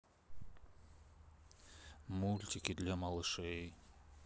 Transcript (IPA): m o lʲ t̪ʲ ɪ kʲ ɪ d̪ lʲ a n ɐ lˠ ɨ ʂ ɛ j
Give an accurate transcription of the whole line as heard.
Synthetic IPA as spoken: m u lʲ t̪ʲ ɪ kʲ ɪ d̪ lʲ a m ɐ lˠ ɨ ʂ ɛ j